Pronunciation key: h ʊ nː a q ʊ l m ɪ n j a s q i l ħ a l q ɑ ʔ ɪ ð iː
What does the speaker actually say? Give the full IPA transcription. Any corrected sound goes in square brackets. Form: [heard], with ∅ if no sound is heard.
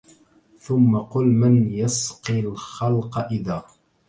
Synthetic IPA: [θ] ʊ [mː] a q ʊ l m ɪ n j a s q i l [x] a l q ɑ ʔ ɪ ð [aː]

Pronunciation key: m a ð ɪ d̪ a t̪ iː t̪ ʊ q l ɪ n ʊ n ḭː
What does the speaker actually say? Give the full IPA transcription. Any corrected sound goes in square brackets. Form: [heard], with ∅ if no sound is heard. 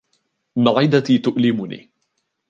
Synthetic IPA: m a [ʕ] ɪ d̪ a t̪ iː t̪ ʊ [ʔ] l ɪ [m] ʊ n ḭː

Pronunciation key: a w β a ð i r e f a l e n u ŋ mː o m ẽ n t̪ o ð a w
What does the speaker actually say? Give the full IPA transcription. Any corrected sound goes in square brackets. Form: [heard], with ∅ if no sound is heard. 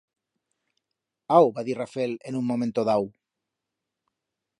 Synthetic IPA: a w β a ð i r [a] f [e] l e n u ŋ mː o m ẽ n t̪ o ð a w

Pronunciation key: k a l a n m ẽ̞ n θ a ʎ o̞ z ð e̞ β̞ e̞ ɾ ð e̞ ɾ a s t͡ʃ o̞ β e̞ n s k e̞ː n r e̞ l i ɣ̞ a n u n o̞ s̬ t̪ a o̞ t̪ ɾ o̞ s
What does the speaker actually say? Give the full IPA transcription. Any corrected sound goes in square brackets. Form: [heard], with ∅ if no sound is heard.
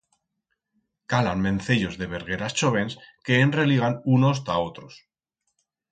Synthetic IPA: k a l a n m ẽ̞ n θ [e] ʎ o̞ z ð e̞ β̞ e̞ ɾ [ɣ] e̞ ɾ a s t͡ʃ o̞ β e̞ n s k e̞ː n r e̞ l i ɣ̞ a n u n o̞ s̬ t̪ a o̞ t̪ ɾ o̞ s

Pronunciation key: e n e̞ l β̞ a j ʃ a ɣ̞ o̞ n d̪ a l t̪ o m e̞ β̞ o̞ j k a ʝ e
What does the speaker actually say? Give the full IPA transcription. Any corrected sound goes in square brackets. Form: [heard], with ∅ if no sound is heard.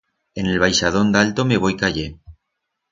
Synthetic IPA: e n e̞ l β̞ a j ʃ a [ð̞] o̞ n d̪ a l t̪ o m e̞ β̞ o̞ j k a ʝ e

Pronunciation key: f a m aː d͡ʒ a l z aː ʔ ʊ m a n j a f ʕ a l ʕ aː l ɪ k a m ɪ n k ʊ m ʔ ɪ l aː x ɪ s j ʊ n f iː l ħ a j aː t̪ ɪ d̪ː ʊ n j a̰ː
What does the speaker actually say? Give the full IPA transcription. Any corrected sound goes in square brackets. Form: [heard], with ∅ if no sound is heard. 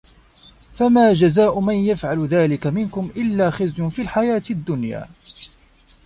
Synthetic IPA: f a m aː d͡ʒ a [∅] z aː ʔ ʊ m a n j a f ʕ a l [ð] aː l ɪ k a m ɪ n k ʊ m ʔ ɪ [lː] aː x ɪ [z] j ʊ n f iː l ħ a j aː t̪ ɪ d̪ː ʊ n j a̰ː

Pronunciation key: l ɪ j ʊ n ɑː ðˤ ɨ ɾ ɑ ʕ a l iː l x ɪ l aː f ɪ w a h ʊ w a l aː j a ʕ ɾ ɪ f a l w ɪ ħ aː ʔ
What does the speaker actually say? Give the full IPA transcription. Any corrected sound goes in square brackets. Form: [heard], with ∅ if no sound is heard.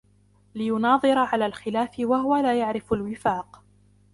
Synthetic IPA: l ɪ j ʊ n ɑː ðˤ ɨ ɾ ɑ ʕ a l [aː] l x ɪ l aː f ɪ w a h ʊ w a l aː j a ʕ ɾ ɪ f a l w ɪ [f] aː [q]

